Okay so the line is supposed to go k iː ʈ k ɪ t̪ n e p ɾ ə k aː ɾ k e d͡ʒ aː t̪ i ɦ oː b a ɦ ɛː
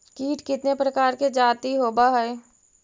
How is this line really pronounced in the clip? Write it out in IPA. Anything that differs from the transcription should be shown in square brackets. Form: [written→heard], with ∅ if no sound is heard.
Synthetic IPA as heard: k iː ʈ k ɪ t̪ n e p ɾ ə k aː ɾ k e d͡ʒ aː t̪ i ɦ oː b a ɦ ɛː